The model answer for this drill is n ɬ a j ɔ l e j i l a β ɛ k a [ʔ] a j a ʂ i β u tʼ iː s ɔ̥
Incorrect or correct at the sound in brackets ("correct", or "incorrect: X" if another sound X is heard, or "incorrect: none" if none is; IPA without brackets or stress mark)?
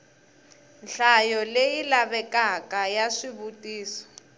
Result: incorrect: k